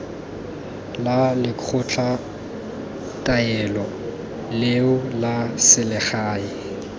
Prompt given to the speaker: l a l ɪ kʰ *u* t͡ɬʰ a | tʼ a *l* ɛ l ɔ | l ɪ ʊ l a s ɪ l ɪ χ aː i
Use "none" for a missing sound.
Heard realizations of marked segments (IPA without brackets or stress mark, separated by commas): ʊ, none